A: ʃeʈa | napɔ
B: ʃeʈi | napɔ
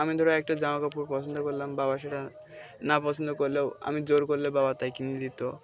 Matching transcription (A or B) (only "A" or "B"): A